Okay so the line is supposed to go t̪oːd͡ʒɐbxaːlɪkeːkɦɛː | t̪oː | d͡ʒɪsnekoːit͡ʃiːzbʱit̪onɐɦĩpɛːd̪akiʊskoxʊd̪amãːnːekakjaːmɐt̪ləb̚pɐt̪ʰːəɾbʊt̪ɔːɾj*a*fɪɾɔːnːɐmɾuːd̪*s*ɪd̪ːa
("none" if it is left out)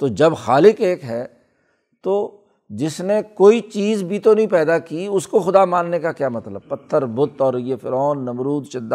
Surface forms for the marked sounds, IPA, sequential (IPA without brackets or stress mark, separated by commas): e, ʃ